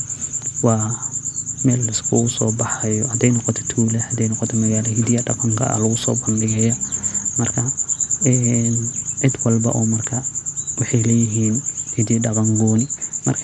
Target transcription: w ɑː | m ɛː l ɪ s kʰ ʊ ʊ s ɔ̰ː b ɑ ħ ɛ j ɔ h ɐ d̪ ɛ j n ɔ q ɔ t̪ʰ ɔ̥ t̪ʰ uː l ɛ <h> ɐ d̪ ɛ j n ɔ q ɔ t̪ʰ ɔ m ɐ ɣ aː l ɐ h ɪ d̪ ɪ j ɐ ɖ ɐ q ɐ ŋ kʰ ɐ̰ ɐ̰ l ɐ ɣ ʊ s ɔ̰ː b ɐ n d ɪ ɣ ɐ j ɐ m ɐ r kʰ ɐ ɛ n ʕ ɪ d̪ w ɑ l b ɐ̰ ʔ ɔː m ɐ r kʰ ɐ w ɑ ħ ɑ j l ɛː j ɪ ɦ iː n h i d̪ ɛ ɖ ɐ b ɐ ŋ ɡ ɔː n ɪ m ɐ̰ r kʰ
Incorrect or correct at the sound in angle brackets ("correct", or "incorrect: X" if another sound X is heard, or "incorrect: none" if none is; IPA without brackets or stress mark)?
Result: correct